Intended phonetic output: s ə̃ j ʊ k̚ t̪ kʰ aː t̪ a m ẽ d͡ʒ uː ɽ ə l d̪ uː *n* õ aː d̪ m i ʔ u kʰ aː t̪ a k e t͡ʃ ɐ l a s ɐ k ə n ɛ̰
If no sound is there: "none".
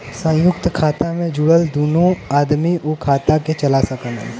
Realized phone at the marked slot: n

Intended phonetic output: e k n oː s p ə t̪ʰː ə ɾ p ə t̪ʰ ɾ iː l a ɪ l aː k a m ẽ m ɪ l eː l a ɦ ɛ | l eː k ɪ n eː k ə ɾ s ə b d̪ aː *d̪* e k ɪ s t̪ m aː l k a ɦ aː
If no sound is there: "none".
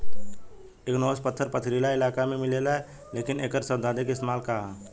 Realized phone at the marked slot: d̪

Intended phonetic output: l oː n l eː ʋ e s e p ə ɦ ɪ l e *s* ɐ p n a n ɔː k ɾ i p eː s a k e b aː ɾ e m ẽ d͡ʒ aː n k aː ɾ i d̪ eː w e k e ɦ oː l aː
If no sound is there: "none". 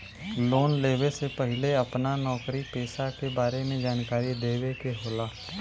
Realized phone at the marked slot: none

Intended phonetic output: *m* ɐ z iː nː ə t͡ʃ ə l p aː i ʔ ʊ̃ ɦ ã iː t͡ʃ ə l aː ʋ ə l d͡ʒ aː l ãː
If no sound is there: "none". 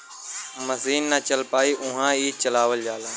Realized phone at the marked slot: m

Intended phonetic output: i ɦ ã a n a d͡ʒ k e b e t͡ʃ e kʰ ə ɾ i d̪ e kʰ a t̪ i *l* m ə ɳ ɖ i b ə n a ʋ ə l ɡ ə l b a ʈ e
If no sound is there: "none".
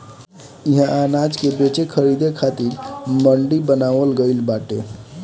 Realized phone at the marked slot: ɾ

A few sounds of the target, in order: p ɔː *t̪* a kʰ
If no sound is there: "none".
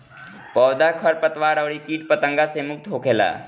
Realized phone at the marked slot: d̪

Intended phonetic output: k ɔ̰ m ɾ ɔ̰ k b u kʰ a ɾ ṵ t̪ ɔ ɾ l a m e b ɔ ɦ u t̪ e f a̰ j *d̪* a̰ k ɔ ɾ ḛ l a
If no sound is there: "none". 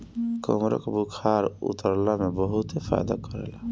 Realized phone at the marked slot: d̪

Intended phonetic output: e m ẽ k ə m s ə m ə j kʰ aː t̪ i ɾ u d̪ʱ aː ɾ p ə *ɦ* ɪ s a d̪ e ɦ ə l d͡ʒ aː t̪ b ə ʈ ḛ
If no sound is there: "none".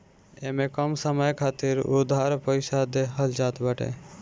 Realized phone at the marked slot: none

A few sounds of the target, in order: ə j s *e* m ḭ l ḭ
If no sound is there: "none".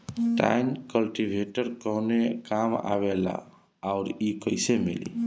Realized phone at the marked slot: e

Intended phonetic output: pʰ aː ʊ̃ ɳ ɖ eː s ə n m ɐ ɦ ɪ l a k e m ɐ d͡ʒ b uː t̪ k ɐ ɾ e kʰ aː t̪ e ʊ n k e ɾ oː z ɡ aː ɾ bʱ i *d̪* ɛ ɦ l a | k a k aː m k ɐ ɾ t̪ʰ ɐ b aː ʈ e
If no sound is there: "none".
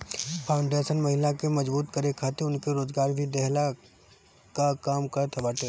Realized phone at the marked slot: d̪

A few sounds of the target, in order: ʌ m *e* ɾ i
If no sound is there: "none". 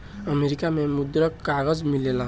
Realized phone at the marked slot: e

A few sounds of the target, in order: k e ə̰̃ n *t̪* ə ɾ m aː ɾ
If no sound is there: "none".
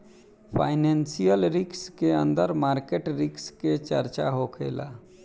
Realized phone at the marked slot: d̪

